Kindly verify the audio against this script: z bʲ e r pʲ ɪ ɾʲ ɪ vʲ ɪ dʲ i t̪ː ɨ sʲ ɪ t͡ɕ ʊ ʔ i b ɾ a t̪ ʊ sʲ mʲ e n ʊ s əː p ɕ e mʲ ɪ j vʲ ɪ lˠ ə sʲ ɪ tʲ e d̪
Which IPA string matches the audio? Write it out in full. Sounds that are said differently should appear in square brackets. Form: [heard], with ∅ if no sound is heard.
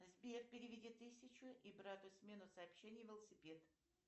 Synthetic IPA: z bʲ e r pʲ ɪ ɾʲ ɪ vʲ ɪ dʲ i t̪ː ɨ sʲ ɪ t͡ɕ ʊ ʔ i b ɾ a t̪ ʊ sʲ mʲ e n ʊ s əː p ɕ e [nʲ] ɪ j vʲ ɪ lˠ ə sʲ ɪ [pʲ] e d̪